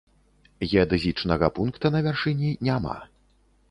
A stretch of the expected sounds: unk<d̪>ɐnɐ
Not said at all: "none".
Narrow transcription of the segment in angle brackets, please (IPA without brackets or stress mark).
t̪